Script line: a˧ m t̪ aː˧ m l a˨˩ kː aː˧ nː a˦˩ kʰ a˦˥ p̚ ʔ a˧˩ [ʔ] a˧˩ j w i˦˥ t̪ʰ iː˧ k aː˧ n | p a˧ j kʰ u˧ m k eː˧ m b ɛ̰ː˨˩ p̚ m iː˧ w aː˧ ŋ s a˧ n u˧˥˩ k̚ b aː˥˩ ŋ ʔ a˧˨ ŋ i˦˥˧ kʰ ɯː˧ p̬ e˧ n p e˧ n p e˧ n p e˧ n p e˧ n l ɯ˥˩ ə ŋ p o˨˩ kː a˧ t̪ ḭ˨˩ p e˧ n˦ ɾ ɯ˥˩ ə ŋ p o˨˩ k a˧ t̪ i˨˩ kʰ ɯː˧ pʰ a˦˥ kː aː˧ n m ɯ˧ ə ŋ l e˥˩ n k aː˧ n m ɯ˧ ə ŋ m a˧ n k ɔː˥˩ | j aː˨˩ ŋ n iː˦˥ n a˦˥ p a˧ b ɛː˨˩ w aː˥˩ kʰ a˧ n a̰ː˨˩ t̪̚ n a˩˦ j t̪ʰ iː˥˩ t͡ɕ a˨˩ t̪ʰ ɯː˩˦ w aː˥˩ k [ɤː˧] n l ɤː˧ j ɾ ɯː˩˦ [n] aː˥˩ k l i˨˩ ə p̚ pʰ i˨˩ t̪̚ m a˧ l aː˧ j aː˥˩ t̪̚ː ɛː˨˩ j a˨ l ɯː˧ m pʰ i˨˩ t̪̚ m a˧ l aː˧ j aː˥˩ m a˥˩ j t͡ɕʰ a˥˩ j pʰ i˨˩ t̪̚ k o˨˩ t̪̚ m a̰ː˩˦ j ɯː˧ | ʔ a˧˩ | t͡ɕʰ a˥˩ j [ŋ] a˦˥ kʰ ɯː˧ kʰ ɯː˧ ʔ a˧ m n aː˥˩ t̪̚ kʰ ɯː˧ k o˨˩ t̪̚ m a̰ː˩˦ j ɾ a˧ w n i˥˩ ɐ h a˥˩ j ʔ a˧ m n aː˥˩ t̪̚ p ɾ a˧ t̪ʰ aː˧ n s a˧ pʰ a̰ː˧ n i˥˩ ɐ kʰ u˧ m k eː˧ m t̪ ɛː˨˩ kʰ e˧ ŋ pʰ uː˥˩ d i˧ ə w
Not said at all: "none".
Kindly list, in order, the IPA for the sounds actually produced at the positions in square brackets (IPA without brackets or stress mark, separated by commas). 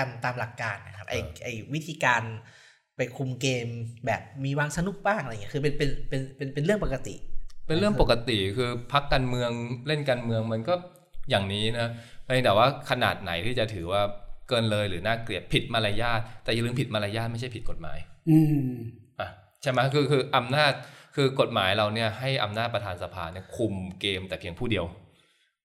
ʔ, ɤː˧, n, m